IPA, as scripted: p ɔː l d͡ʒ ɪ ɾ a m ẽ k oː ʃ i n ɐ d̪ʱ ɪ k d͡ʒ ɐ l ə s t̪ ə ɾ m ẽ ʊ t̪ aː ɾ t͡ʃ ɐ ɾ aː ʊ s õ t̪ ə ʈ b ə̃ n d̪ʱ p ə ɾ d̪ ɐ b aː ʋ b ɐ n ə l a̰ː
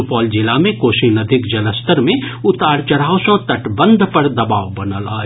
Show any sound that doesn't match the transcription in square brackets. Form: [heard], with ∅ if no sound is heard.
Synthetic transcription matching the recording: p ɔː l d͡ʒ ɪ [l] a m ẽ k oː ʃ i n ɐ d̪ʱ ɪ k d͡ʒ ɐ l ə s t̪ ə ɾ m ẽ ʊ t̪ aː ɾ t͡ʃ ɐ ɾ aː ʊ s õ t̪ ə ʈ b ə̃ n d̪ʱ p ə ɾ d̪ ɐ b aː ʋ b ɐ n ə l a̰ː